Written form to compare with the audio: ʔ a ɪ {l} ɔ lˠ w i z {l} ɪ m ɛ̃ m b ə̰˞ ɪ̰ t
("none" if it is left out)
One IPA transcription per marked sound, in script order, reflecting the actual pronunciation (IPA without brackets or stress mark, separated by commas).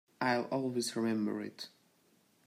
l, ɹ